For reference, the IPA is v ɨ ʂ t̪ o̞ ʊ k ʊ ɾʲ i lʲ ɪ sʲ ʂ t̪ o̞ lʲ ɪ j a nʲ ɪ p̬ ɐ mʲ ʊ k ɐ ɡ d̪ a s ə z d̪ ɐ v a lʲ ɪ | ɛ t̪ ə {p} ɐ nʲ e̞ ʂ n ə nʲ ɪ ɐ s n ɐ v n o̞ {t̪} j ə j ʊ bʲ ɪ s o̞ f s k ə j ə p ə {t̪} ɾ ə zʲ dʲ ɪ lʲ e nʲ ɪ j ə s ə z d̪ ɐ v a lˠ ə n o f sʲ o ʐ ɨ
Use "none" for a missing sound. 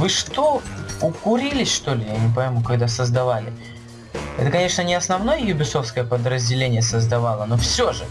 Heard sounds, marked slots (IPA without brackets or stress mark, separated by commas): k, none, d̪